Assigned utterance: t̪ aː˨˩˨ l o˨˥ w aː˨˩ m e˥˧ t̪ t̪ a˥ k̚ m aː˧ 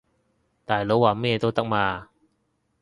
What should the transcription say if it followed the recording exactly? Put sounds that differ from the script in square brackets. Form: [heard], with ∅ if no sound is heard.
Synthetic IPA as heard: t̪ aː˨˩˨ l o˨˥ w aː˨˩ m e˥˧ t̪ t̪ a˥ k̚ m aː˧